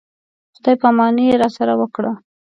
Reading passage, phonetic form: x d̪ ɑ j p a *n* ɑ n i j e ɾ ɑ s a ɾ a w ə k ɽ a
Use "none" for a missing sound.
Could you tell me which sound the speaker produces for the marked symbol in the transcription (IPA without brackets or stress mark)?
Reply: m